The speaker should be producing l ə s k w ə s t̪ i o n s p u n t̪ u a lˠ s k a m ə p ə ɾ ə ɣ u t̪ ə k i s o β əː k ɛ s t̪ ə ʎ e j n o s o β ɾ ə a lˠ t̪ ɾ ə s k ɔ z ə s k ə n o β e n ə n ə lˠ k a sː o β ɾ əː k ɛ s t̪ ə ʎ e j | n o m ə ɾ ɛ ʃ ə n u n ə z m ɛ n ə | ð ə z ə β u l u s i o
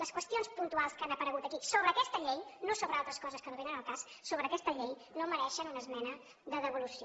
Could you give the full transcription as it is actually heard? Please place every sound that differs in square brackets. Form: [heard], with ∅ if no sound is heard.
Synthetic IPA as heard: l ə s k w ə s t̪ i o n s p u n t̪ u a lˠ s k a [n] ə p ə ɾ ə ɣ u t̪ ə k i s o β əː k ɛ s t̪ ə ʎ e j n o s o β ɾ ə a lˠ t̪ ɾ ə s k ɔ z ə s k ə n o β e n ə n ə lˠ k a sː o β ɾ əː k ɛ s t̪ ə ʎ e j | n o m ə ɾ ɛ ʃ ə n u n ə z m ɛ n ə | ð ə [ð] ə β u l u s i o